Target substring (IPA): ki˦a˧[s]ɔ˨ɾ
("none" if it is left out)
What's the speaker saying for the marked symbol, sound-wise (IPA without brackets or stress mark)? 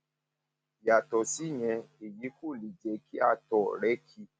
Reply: t